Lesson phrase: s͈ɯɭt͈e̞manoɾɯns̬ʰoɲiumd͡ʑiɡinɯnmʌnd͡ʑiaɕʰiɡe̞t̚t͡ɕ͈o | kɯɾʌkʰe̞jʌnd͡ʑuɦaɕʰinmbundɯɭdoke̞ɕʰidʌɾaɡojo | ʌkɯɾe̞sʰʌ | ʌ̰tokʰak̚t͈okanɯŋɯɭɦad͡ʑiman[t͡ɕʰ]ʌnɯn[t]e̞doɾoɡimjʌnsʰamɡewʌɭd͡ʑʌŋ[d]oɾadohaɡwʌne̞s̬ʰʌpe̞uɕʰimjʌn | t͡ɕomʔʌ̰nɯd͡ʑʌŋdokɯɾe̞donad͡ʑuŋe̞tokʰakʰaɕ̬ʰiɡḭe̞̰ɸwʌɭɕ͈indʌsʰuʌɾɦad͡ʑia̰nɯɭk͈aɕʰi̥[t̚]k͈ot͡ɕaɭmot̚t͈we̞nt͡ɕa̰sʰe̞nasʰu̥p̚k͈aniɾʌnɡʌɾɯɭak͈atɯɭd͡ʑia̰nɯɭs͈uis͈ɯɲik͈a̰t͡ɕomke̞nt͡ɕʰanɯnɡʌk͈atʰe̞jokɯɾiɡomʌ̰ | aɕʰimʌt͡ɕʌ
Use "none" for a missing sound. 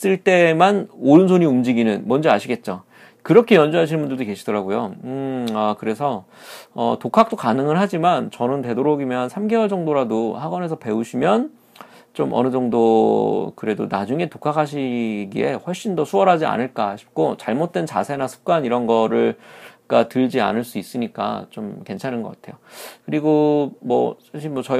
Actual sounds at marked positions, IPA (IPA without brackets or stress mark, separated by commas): t͡ɕ, t, d, p̚